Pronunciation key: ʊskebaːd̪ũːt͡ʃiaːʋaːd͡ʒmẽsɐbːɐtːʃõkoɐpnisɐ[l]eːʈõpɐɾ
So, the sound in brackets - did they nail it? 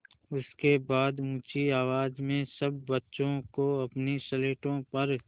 yes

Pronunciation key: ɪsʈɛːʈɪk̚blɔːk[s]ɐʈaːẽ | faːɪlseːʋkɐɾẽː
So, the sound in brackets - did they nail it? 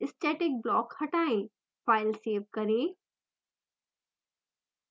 no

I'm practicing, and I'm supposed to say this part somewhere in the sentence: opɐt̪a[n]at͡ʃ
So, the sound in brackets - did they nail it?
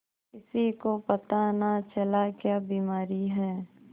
yes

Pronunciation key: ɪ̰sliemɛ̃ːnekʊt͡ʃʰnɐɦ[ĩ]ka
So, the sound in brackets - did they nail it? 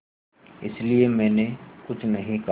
yes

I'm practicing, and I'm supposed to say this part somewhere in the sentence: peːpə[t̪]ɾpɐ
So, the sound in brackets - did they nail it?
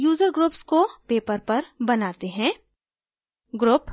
no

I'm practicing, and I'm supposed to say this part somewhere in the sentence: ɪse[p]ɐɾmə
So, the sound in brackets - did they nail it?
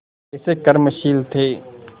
no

